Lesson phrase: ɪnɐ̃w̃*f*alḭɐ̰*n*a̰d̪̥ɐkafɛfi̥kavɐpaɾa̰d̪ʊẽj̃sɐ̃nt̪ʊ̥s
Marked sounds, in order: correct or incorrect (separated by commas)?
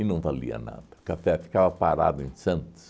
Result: incorrect, correct